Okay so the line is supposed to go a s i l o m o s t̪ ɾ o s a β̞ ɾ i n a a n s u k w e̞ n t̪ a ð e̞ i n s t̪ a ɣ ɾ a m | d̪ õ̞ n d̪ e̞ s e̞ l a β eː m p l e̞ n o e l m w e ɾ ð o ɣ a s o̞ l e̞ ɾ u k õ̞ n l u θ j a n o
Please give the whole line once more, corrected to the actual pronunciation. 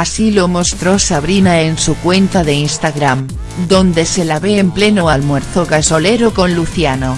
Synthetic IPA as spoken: a s i l o m o s t̪ ɾ o s a β̞ ɾ i n a e n s u k w e̞ n t̪ a ð e̞ i n s t̪ a ɣ ɾ a m | d̪ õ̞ n d̪ e̞ s e̞ l a β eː m p l e̞ n o a l m w e ɾ θ o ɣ a s o̞ l e̞ ɾ o k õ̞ n l u θ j a n o